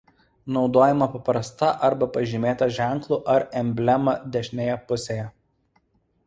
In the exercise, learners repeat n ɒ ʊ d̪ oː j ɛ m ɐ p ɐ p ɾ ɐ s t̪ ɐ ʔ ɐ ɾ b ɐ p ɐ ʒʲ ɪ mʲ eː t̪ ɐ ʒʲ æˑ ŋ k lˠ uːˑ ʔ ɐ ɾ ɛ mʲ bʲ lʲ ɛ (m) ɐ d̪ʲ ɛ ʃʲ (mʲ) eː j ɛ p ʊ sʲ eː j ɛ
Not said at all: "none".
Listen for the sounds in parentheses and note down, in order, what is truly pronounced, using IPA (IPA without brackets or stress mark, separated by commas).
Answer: m, nʲ